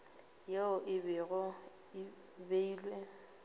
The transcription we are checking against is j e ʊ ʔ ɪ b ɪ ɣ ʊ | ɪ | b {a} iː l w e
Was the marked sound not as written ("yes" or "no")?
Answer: yes